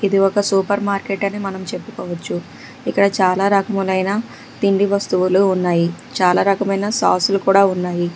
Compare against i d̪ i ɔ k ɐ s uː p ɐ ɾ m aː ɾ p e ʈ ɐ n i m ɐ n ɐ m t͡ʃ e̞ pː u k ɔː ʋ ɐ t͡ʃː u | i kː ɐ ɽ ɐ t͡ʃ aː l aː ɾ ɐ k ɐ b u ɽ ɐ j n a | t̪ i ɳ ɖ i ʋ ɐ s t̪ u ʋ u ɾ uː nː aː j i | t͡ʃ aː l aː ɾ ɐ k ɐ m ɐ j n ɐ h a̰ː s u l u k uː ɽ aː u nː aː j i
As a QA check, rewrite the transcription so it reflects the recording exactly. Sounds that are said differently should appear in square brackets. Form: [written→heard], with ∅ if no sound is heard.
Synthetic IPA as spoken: i d̪ i ɔ k ɐ s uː p ɐ ɾ m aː ɾ [p→k] e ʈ ɐ n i m ɐ n ɐ m t͡ʃ e̞ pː u k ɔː ʋ ɐ t͡ʃː u | i kː ɐ ɽ ɐ t͡ʃ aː l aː ɾ ɐ k ɐ [b→m] u [ɽ→l] ɐ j n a | t̪ i ɳ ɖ i ʋ ɐ s t̪ u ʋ u [ɾ→l] uː nː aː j i | t͡ʃ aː l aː ɾ ɐ k ɐ m ɐ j n ɐ [h→s] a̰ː s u l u k uː ɽ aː u nː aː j i